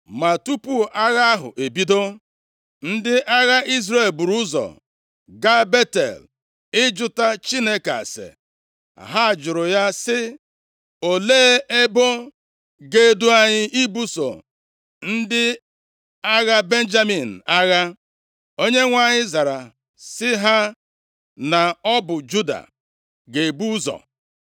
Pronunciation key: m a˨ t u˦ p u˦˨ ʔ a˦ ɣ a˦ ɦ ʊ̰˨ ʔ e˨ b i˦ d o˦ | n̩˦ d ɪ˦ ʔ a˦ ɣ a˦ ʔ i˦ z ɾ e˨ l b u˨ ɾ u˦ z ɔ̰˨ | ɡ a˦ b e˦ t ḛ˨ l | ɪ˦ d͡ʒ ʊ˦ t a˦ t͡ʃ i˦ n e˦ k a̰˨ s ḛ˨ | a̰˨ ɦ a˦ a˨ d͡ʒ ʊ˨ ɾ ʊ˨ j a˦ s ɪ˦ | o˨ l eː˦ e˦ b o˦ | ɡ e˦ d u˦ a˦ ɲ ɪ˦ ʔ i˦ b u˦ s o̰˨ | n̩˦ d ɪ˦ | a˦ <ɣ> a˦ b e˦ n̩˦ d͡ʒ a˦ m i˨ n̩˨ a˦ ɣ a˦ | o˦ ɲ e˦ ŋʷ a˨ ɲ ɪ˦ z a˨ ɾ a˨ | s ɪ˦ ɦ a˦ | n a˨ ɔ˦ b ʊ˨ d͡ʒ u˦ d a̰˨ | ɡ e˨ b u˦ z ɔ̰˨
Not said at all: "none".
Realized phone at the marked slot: ɣ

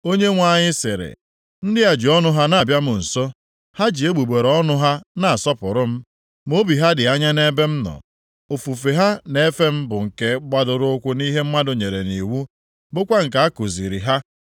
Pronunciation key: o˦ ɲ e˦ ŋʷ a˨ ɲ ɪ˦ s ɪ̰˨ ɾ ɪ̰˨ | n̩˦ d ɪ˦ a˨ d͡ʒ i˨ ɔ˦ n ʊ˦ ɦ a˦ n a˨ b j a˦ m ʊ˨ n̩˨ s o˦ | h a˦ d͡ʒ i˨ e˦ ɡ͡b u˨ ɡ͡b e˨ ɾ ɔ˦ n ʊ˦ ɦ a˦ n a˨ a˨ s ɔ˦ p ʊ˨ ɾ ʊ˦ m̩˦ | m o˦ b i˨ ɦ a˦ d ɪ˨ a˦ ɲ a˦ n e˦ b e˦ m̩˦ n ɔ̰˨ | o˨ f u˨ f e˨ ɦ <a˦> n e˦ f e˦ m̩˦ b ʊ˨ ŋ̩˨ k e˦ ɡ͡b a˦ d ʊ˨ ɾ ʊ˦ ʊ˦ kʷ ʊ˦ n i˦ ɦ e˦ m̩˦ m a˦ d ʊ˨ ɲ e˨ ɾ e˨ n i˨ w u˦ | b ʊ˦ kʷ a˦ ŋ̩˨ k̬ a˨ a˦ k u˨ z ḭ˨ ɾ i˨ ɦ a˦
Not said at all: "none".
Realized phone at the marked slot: a˦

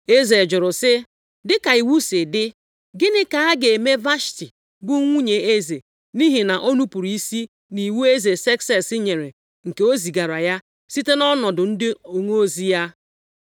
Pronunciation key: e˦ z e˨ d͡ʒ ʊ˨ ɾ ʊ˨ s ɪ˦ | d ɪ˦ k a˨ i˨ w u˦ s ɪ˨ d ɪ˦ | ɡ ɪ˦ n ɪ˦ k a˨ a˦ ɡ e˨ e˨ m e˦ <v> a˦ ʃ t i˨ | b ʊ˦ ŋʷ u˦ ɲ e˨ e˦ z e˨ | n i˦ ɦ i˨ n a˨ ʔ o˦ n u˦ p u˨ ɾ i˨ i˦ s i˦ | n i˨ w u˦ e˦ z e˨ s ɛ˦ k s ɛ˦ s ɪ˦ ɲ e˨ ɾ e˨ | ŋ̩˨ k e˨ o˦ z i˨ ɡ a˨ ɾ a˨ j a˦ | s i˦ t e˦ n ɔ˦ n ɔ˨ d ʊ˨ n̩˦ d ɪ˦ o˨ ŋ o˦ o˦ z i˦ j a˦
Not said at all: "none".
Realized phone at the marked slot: v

